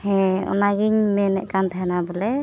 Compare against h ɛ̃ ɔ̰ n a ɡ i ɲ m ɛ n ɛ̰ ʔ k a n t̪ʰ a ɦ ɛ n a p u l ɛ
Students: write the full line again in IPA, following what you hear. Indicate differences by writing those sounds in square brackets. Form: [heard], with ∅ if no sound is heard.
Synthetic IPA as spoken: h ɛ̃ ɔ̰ n a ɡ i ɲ m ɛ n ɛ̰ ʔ k a n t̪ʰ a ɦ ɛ n a [b] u l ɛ